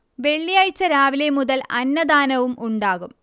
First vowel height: mid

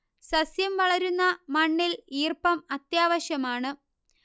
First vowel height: low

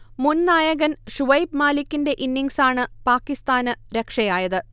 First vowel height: high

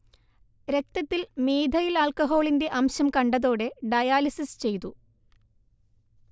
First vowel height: mid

